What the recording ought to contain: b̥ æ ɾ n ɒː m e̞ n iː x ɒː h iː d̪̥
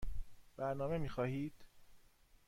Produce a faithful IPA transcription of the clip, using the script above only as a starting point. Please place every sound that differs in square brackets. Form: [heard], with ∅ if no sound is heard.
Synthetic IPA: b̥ æ ɾ n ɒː m e̞ [m] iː x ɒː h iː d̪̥